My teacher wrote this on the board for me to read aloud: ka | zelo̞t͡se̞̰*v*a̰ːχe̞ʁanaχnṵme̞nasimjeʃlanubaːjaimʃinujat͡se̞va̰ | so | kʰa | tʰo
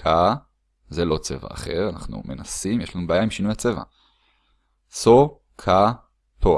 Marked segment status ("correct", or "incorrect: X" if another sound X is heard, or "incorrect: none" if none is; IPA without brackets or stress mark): correct